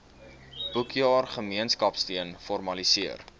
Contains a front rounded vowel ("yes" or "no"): no